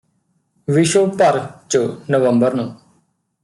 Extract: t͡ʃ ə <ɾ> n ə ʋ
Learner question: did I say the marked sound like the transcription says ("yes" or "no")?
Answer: no